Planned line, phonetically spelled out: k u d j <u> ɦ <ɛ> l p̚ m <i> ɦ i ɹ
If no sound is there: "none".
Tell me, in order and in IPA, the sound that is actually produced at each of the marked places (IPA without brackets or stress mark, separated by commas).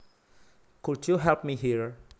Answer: u, ɛ, i